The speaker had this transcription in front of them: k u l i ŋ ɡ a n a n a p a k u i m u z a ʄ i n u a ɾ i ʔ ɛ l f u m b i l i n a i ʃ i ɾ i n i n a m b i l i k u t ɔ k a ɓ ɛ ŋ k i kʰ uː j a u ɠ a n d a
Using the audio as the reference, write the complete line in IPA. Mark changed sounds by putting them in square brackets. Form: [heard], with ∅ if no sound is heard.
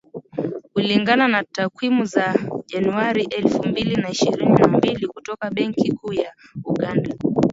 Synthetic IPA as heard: k u l i ŋ ɡ a n a n a [t] a k [w] i m u z a ʄ [a] n u a ɾ i ʔ ɛ l f u m b i l i n a i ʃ i ɾ i n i n a m b i l i k u t ɔ k a ɓ ɛ ŋ k i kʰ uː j a u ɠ a n d a